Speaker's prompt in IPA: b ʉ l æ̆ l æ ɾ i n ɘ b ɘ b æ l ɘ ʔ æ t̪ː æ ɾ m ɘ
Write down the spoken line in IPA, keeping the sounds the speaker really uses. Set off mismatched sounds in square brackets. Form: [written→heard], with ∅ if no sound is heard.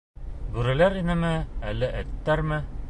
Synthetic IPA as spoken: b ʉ [l→ɾ] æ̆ l æ ɾ i n ɘ [b→m] ɘ [b→∅] æ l ɘ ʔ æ t̪ː æ ɾ m ɘ